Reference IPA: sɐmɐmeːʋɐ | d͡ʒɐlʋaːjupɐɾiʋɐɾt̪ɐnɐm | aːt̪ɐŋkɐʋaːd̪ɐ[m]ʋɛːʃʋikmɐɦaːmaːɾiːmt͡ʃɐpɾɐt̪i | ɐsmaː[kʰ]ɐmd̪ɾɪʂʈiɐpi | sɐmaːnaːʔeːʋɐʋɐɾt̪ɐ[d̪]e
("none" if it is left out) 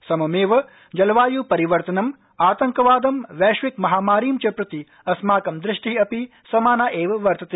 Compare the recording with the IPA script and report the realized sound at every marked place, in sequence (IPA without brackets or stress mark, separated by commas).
m, k, t̪